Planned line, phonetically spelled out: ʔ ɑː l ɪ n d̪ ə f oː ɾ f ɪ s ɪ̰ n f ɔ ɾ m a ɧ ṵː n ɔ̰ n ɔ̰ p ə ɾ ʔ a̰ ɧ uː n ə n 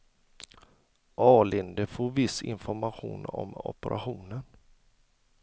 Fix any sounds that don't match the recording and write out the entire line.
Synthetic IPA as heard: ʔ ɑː l ɪ n d̪ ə f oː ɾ v ɪ s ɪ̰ n f ɔ ɾ m a ɧ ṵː n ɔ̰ m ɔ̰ p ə ɾ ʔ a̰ ɧ uː n ə n